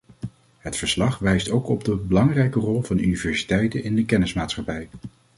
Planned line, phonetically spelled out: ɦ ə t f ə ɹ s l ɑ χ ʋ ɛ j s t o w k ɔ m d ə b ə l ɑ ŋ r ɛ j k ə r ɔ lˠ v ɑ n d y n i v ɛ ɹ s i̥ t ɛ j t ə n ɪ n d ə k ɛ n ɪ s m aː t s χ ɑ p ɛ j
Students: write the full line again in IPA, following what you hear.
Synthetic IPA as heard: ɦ ə t f ə ɹ s l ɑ χ ʋ ɛ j s t o w k ɔ b d ə b ə l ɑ ŋ r ɛ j k ə r ɔ lˠ v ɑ n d y n i v ɛ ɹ s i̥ t ɛ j t ə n ɪ n d ə k ɛ n ɪ s m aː t s χ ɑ p ɛ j